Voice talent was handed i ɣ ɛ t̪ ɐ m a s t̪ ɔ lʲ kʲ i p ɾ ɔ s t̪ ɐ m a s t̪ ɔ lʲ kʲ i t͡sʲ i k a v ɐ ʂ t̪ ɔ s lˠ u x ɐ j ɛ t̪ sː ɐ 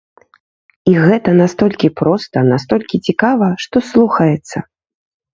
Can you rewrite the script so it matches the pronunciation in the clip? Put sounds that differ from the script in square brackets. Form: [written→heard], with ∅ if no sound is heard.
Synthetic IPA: i ɣ ɛ t̪ ɐ [m→n] a s t̪ ɔ lʲ kʲ i p ɾ ɔ s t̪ ɐ [m→n] a s t̪ ɔ lʲ kʲ i t͡sʲ i k a v ɐ ʂ t̪ ɔ s lˠ u x ɐ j ɛ t̪ sː ɐ